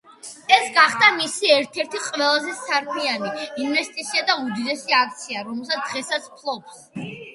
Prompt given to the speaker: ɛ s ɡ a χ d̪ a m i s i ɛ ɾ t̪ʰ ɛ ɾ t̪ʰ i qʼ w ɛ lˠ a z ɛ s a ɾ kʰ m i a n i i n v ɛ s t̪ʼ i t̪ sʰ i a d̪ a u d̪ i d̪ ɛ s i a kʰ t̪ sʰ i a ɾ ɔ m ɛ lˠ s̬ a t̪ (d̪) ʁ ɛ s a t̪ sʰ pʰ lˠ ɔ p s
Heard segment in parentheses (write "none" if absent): d̪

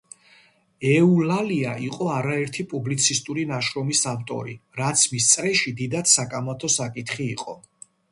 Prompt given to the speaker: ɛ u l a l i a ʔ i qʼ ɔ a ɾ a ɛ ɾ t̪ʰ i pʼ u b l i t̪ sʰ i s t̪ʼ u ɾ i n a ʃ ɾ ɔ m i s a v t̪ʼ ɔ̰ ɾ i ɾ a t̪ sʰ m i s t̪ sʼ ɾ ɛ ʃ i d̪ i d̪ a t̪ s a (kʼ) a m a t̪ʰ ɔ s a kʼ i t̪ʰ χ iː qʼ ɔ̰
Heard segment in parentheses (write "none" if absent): kʼ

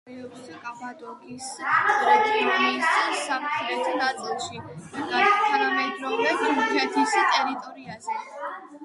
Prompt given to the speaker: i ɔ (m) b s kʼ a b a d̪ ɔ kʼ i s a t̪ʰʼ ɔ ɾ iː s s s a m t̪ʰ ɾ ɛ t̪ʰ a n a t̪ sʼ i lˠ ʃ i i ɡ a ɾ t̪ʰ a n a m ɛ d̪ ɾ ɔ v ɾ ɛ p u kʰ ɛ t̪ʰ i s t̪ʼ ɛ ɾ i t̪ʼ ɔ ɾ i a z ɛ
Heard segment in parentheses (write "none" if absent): none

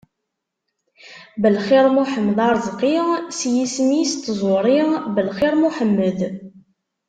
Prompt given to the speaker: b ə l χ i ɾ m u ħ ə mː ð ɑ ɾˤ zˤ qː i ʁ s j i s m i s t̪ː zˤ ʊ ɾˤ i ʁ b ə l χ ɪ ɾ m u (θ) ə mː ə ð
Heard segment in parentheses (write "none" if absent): ħ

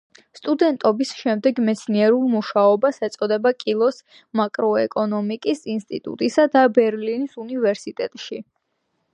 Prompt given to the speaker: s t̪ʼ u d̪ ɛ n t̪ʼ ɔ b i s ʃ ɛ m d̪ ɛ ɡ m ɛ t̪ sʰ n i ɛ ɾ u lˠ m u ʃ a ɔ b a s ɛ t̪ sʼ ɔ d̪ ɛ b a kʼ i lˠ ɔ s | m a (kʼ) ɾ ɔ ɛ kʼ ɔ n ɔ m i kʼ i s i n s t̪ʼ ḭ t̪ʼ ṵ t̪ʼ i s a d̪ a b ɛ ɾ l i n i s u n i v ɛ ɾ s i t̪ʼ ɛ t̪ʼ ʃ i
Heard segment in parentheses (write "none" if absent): kʼ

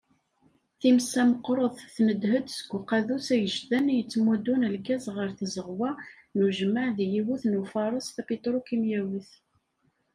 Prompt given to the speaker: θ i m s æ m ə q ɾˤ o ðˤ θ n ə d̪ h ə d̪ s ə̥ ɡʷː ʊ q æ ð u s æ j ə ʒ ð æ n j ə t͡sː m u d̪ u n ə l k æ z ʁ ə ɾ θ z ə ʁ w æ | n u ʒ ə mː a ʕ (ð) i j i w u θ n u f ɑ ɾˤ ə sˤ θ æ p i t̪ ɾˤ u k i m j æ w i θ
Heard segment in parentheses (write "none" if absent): ð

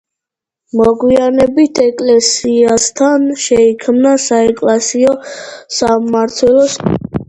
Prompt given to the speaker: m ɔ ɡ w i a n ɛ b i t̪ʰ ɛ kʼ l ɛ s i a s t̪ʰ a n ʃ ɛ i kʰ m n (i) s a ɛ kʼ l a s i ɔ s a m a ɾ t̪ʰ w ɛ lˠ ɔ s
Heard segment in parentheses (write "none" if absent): a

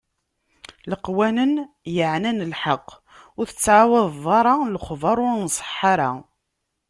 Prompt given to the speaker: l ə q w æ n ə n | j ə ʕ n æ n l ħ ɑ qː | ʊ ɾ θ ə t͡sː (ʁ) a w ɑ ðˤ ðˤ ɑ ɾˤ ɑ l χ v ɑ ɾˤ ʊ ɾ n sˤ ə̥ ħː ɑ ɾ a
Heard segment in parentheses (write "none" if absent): ʕ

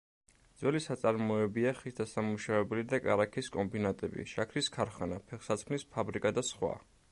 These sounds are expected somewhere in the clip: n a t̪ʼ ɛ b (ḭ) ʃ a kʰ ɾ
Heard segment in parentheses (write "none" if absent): ḭ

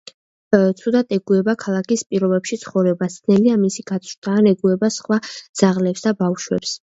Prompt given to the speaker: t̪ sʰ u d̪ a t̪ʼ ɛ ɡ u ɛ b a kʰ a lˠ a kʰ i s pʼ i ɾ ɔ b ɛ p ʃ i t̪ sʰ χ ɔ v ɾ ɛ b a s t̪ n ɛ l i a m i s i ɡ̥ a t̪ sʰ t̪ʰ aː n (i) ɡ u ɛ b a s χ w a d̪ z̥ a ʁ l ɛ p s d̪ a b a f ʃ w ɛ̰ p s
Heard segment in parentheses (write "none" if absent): ɛ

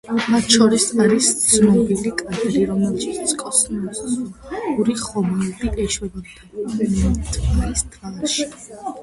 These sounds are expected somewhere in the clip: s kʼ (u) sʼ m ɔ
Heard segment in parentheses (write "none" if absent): ɔ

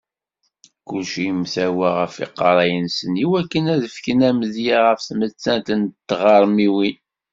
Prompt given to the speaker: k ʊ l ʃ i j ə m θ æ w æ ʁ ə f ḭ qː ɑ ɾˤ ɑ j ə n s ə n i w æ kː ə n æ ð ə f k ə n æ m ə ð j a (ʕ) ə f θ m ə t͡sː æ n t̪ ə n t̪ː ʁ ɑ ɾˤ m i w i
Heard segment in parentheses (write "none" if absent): ʁ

